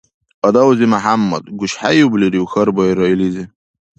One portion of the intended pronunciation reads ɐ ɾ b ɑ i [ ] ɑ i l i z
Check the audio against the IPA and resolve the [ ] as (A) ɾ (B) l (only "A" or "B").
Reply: A